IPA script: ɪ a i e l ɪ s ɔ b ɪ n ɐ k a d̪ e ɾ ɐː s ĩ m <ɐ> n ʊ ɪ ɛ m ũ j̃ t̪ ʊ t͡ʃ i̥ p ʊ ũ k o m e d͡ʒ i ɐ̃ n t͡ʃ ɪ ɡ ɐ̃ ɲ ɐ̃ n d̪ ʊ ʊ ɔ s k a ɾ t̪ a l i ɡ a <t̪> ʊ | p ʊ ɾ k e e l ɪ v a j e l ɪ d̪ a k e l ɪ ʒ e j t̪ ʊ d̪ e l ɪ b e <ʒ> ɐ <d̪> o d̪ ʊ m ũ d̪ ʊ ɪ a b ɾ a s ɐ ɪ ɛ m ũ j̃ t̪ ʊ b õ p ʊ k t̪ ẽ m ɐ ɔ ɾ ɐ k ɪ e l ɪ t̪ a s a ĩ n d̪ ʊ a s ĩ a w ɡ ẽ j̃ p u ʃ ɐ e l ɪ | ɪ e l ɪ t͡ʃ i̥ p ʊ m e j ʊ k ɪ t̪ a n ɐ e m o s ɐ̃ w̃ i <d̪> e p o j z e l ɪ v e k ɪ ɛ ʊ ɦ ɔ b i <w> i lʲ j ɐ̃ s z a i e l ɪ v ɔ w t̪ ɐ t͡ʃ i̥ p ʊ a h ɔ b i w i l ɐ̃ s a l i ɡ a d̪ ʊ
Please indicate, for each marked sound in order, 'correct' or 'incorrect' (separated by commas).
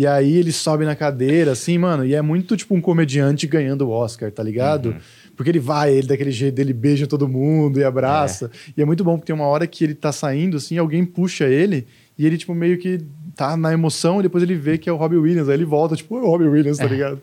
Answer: incorrect, incorrect, correct, incorrect, correct, correct